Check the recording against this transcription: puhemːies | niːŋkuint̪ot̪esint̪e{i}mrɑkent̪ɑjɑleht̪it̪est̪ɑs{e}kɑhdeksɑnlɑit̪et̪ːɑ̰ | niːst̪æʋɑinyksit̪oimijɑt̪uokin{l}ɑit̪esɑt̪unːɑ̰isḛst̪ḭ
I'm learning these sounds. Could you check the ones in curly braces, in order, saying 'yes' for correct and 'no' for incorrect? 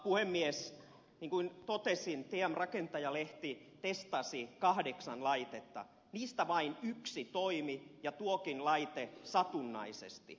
no, no, yes

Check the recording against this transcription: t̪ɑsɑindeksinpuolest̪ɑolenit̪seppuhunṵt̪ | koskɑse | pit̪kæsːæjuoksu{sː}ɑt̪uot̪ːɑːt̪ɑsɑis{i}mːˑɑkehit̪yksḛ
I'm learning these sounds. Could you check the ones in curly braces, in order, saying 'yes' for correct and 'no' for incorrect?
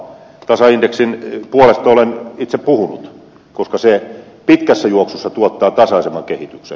yes, no

